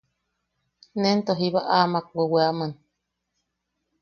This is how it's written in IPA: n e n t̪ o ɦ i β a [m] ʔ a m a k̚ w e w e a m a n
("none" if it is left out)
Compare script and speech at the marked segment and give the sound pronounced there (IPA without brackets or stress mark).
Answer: none